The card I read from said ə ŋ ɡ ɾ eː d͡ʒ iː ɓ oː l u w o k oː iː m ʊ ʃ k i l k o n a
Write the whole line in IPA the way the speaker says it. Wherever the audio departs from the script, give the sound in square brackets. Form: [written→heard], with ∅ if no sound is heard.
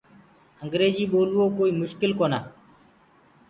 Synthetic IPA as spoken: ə ŋ ɡ ɾ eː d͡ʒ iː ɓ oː l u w o k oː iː m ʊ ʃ k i l k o n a

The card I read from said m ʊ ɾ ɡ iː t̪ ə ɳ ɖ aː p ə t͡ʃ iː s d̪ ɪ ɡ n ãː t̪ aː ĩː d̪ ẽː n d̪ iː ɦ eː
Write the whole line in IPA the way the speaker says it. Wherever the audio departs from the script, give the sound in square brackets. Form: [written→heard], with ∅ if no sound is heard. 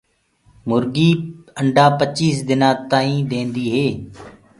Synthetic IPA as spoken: m ʊ ɾ ɡ iː [t̪→∅] ə ɳ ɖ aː p ə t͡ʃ iː s d̪ ɪ [ɡ→∅] n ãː t̪ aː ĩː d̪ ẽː n d̪ iː ɦ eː

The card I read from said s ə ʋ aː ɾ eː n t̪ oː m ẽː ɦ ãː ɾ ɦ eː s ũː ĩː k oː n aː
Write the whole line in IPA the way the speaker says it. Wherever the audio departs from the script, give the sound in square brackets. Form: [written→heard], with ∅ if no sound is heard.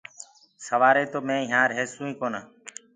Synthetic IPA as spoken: s ə ʋ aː ɾ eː [n→∅] t̪ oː m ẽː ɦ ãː ɾ ɦ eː s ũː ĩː k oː n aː

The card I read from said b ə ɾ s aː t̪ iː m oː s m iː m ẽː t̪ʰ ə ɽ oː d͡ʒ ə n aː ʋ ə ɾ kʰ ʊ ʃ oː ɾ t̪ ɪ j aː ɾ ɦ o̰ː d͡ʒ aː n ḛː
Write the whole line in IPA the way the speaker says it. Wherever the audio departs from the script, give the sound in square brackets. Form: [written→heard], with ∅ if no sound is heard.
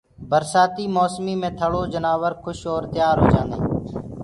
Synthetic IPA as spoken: b ə ɾ s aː t̪ iː m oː s m iː m ẽː t̪ʰ ə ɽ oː d͡ʒ ə n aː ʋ ə ɾ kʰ ʊ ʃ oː ɾ t̪ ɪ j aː ɾ ɦ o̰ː d͡ʒ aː n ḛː

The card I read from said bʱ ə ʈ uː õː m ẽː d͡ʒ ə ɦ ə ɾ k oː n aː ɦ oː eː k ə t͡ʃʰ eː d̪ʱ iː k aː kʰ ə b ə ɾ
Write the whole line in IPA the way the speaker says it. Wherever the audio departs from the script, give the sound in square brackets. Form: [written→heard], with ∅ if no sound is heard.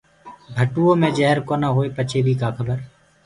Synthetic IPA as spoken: bʱ ə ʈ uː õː m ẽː d͡ʒ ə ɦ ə ɾ k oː n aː ɦ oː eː [k→p] ə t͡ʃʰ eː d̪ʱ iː k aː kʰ ə b ə ɾ

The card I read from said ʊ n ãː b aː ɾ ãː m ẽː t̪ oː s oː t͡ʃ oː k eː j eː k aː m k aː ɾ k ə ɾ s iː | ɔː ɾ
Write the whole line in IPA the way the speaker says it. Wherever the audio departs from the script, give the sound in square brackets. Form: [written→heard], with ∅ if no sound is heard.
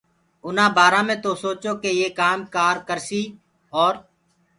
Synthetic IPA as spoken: ʊ n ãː b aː ɾ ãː m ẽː t̪ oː s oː t͡ʃ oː k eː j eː k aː m k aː ɾ k ə ɾ s iː | ɔː ɾ

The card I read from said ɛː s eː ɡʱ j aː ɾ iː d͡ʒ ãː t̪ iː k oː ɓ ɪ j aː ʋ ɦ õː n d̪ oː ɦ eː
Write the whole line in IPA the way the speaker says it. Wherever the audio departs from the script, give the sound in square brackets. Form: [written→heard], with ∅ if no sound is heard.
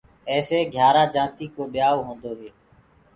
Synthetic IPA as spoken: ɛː s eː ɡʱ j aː ɾ [iː→aː] d͡ʒ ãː t̪ iː k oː ɓ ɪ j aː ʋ ɦ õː n d̪ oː ɦ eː

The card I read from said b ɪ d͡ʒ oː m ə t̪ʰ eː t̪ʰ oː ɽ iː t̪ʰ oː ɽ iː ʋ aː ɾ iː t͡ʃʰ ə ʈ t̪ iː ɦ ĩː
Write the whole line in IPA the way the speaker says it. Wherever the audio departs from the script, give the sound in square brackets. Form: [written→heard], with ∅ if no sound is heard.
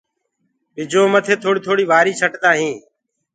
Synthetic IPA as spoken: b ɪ d͡ʒ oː m ə t̪ʰ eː t̪ʰ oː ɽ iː t̪ʰ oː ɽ iː ʋ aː ɾ iː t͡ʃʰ ə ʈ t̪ [iː→aː] ɦ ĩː

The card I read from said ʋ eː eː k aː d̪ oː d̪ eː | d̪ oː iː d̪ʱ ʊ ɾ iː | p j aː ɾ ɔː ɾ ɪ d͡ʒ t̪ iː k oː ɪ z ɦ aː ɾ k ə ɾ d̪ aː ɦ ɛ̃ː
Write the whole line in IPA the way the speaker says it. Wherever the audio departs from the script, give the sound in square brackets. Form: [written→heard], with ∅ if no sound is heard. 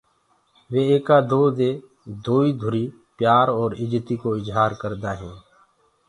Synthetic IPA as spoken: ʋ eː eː k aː d̪ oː d̪ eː | d̪ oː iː d̪ʱ ʊ ɾ iː | p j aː ɾ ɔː ɾ ɪ d͡ʒ t̪ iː k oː ɪ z ɦ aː ɾ k ə ɾ d̪ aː ɦ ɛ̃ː

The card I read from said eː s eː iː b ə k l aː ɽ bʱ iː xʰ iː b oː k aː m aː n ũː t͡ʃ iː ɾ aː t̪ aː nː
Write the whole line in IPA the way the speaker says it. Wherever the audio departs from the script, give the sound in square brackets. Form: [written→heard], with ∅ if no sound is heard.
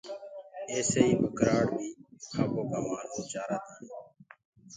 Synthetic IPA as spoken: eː s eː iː b ə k [l→ɾ] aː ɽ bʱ iː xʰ [iː→aː] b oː k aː m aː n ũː t͡ʃ [iː→aː] ɾ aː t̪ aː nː

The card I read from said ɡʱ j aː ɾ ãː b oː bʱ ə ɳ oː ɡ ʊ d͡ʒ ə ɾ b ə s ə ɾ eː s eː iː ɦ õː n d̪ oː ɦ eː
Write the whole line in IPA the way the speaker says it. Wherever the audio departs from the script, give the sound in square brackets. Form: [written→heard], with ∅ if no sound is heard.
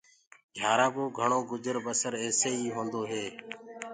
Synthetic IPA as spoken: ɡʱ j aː ɾ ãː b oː [bʱ→ɡʱ] ə ɳ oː ɡ ʊ d͡ʒ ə ɾ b ə s ə ɾ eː s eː iː ɦ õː n d̪ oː ɦ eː

